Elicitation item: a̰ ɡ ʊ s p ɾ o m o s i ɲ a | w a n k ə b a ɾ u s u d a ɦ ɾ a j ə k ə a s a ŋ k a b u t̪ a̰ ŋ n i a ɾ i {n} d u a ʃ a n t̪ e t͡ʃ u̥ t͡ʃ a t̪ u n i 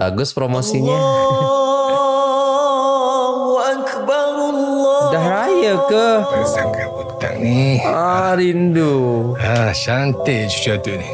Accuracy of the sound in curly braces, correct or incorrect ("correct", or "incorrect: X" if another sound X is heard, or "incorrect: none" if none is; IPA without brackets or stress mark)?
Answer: correct